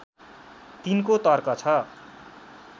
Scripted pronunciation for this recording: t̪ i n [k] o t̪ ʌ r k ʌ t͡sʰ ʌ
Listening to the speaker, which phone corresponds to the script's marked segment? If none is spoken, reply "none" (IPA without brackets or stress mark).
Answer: k